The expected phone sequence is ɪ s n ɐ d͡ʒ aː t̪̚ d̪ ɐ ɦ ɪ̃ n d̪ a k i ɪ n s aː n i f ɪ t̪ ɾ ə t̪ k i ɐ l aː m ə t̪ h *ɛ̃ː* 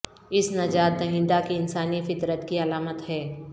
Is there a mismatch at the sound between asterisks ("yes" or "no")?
yes